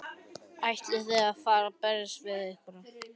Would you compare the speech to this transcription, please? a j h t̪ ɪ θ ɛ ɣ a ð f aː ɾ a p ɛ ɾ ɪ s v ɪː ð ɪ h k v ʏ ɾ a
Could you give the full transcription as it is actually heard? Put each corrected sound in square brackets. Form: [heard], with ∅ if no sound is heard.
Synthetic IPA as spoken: a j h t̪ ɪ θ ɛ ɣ a ð f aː ɾ a p ɛ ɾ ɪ s v [ɪ] ð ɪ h k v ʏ ɾ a